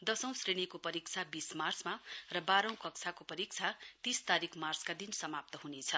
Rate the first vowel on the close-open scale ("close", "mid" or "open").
mid